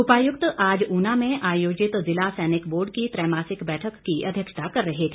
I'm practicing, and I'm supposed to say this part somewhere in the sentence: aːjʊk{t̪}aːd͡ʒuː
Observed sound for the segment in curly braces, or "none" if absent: t̪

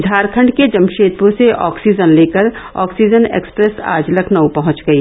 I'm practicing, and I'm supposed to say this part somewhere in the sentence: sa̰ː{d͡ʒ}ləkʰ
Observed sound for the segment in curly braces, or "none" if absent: d͡ʒ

